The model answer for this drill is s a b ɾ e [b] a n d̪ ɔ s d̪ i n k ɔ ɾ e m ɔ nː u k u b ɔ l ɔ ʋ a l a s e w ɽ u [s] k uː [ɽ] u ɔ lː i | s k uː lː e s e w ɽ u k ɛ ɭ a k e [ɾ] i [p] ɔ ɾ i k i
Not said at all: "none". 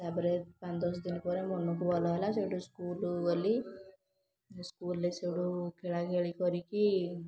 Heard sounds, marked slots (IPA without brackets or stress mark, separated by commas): p, s, l, ɭ, k